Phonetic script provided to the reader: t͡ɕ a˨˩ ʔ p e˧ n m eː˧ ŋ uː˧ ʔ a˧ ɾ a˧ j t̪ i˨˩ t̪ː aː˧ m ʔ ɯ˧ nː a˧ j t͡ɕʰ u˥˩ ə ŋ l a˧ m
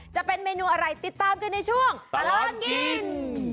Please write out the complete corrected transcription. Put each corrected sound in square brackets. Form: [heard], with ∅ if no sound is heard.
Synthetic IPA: t͡ɕ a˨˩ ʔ p e˧ n m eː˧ [n] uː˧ ʔ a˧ ɾ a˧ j t̪ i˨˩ t̪ː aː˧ m [k] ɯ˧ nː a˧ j t͡ɕʰ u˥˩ ə ŋ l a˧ [n]